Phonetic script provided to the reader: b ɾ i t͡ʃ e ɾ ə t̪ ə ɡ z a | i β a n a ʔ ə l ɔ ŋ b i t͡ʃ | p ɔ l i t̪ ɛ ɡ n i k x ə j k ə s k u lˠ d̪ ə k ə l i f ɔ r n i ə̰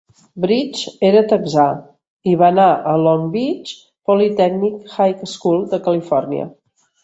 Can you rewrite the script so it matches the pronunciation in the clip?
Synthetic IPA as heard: b ɾ i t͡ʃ e ɾ ə t̪ ə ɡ z a | i β a n a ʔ ə l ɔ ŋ b i t͡ʃ | p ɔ l i t̪ ɛ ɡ n i k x a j k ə s k u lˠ d̪ ə k ə l i f ɔ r n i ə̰